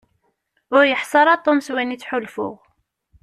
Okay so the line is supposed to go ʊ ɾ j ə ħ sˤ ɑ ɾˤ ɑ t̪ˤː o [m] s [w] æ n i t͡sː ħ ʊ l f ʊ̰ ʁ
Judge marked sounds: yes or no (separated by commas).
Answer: yes, yes